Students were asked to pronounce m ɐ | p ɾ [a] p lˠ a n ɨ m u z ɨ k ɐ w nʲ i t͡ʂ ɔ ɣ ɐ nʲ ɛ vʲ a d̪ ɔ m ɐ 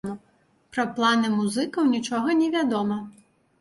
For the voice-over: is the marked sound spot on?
no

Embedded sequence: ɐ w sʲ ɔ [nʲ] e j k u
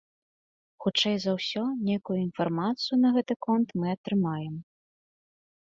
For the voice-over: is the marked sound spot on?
yes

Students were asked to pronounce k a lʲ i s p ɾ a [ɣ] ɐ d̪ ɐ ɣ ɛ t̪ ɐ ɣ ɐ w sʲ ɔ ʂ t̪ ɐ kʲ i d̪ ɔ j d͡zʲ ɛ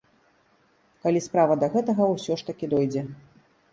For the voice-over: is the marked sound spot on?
no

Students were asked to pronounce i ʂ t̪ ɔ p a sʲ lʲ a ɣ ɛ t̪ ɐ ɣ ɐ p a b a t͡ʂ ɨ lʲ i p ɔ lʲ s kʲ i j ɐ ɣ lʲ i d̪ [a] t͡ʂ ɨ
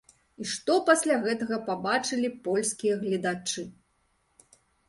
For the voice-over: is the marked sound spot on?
yes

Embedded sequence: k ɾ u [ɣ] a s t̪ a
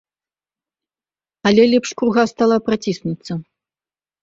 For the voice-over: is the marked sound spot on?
yes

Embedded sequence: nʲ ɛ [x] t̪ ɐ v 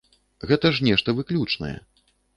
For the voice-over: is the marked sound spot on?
no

